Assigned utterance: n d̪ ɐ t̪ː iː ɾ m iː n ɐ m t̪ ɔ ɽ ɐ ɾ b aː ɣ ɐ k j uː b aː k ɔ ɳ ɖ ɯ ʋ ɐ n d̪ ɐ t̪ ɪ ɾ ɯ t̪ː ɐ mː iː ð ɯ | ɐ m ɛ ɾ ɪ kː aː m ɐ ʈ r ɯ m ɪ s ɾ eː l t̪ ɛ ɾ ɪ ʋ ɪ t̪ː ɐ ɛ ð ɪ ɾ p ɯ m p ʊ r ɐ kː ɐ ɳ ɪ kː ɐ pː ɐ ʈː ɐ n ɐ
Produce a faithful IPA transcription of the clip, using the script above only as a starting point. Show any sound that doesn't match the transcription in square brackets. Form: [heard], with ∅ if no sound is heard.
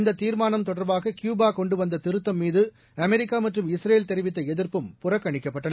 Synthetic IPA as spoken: n d̪ ɐ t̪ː iː ɾ m [aː] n ɐ m t̪ ɔ ɽ ɐ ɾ b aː ɣ ɐ k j uː b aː k ɔ ɳ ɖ ɯ ʋ ɐ n d̪ ɐ t̪ ɪ ɾ ɯ t̪ː ɐ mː iː ð ɯ | ɐ m ɛ ɾ ɪ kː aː m ɐ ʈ r ɯ m ɪ s ɾ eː l t̪ ɛ ɾ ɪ ʋ ɪ t̪ː ɐ ɛ ð ɪ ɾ p ɯ m p ʊ r ɐ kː ɐ ɳ ɪ kː ɐ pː ɐ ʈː ɐ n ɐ